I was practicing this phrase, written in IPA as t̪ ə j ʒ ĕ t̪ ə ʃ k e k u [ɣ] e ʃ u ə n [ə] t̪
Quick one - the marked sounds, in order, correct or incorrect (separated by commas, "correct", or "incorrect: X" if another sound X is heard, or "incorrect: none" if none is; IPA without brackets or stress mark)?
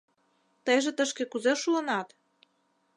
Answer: incorrect: z, incorrect: ɑ